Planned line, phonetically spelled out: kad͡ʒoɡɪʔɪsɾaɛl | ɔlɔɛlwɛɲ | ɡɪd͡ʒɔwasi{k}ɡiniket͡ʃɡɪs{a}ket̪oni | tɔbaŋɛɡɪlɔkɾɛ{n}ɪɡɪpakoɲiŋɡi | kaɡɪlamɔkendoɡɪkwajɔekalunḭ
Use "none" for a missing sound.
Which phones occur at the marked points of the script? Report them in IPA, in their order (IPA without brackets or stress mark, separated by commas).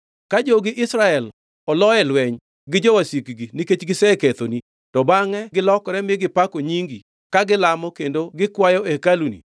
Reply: k, ɛ, m